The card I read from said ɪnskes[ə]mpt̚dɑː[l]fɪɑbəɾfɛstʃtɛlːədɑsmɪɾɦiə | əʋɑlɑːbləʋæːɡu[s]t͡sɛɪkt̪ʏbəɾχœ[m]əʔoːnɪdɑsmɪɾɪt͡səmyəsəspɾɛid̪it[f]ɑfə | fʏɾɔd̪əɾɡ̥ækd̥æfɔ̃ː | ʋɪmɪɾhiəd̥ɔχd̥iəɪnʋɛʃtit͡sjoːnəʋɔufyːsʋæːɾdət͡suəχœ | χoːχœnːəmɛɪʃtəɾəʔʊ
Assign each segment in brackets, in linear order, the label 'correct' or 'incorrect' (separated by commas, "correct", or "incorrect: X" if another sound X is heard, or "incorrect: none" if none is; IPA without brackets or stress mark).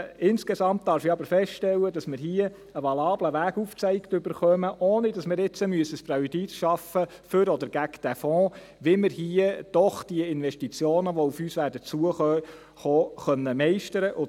incorrect: ɑ, incorrect: ɾ, incorrect: f, correct, incorrect: ʃ